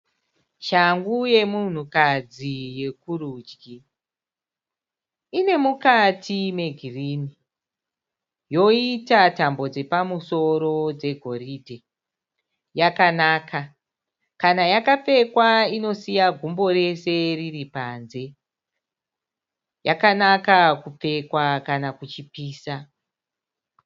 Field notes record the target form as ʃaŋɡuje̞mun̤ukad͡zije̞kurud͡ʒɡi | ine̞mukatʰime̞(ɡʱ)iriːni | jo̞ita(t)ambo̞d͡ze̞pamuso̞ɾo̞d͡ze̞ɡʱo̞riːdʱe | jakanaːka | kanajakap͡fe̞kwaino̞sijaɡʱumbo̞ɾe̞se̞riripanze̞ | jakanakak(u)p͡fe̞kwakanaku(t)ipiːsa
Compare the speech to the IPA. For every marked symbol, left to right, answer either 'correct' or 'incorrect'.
correct, correct, correct, incorrect: t͡ʃ

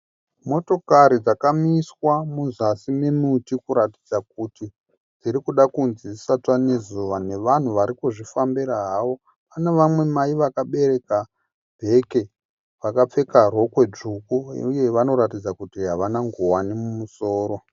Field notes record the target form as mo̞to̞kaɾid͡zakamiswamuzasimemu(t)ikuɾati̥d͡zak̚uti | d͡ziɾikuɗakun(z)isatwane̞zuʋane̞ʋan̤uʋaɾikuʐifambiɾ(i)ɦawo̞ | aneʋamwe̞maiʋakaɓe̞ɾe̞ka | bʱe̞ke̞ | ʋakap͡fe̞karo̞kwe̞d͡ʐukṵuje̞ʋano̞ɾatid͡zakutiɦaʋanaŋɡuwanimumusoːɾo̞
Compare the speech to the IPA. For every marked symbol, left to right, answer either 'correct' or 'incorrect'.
correct, correct, incorrect: a

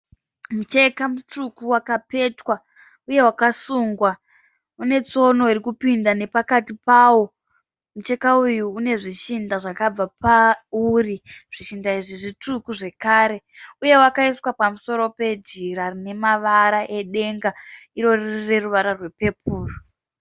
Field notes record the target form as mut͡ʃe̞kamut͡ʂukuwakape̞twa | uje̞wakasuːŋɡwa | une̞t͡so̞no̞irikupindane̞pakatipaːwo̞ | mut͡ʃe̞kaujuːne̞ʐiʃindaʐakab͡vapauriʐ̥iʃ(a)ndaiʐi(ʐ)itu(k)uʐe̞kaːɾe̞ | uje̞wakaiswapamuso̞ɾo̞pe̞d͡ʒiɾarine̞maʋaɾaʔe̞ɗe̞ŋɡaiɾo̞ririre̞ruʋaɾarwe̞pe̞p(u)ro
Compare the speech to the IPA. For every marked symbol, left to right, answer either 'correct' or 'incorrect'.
incorrect: i, correct, correct, incorrect: uː

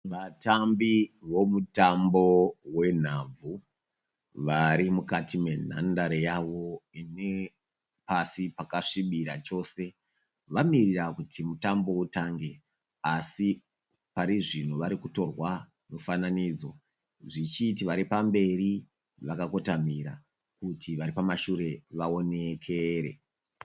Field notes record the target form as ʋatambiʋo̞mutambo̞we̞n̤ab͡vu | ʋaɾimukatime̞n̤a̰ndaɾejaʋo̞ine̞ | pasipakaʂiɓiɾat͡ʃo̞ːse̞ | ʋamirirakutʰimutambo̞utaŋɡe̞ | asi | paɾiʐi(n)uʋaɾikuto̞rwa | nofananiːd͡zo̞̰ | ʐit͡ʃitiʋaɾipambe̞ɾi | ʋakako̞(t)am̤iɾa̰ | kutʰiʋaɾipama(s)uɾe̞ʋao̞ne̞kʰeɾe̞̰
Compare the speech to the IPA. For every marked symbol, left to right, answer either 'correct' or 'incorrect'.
correct, correct, incorrect: ʃ

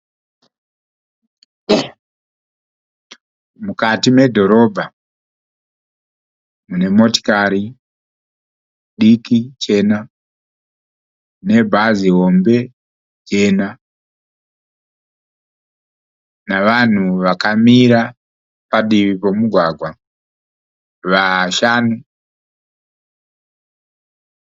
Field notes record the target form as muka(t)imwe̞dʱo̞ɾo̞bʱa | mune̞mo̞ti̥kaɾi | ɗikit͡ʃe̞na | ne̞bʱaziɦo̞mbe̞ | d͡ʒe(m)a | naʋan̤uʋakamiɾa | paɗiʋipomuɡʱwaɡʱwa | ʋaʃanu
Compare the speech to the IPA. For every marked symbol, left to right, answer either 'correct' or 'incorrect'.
correct, incorrect: n

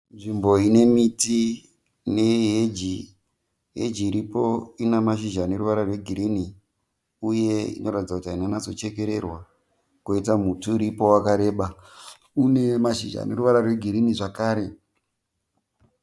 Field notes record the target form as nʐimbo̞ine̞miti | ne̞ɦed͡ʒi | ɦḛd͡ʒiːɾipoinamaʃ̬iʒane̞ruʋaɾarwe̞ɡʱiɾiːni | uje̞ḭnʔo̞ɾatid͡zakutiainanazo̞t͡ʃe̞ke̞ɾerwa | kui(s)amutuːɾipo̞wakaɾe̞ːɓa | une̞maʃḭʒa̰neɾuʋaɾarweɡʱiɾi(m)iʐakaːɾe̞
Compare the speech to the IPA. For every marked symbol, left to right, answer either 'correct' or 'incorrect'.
incorrect: t, incorrect: n

